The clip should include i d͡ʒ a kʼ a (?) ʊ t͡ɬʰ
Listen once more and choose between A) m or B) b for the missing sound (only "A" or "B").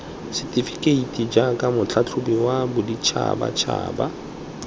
A